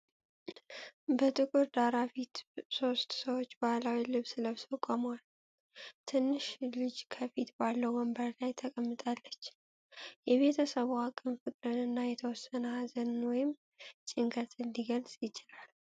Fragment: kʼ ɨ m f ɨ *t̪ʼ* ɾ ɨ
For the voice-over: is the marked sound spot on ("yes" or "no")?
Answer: yes